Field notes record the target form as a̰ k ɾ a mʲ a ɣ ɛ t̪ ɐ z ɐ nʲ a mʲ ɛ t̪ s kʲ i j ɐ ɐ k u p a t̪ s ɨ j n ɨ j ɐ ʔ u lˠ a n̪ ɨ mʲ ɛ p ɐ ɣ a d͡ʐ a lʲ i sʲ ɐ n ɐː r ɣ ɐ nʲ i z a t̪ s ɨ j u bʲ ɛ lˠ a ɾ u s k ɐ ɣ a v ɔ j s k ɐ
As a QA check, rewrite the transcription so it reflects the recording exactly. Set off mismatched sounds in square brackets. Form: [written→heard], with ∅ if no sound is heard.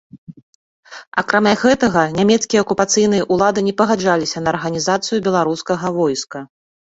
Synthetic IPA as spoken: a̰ k ɾ a mʲ a ɣ ɛ t̪ ɐ [z→ɣ] ɐ nʲ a mʲ ɛ t̪ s kʲ i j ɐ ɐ k u p a t̪ s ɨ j n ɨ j ɐ ʔ u lˠ a [n̪→d̪] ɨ [mʲ→nʲ] ɛ p ɐ ɣ a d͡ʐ a lʲ i sʲ ɐ n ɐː r ɣ ɐ nʲ i z a t̪ s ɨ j u bʲ ɛ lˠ a ɾ u s k ɐ ɣ [a→ɐ] v ɔ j s k ɐ